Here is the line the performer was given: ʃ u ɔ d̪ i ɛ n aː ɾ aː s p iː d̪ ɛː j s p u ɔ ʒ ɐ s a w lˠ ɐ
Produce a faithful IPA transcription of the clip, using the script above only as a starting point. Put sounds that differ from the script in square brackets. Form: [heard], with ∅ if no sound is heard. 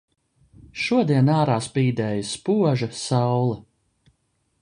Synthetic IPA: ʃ u ɔ d̪ i ɛ n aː ɾ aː s p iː d̪ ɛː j s p u ɔ ʒ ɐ s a w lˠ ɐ